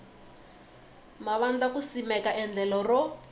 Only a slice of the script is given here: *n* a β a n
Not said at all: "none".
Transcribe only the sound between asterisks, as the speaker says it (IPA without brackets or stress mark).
m